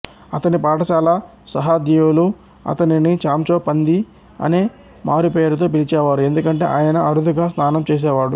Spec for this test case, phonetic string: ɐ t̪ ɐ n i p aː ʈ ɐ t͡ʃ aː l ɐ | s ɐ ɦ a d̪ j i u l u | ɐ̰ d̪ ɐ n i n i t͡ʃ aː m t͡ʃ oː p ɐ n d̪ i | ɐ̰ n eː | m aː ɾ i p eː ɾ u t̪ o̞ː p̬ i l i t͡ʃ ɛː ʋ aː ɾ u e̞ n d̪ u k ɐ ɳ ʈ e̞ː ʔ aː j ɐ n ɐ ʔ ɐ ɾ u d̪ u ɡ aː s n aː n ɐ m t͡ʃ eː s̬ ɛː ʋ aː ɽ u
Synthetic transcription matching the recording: ɐ t̪ ɐ n i p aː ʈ ɐ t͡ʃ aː l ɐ | s ɐ ɦ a d̪ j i u l u | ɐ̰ t̪ ɐ n i n i t͡ʃ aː m t͡ʃ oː p ɐ n d̪ i | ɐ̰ n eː | m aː ɾ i p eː ɾ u t̪ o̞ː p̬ i l i t͡ʃ ɛː ʋ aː ɾ u e̞ n d̪ u k ɐ ɳ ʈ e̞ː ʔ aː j ɐ n ɐ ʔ ɐ ɾ u d̪ u ɡ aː s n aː n ɐ m t͡ʃ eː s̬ ɛː ʋ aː ɽ u